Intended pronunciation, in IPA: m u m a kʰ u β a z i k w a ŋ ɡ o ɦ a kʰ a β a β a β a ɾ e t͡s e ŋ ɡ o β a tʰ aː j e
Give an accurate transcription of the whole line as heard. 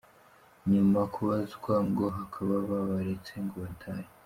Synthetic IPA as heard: ɲ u m a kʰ u β a z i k w a ŋ ɡ o ɦ a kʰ a β a β a β a ɾ e t͡s e ŋ ɡ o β a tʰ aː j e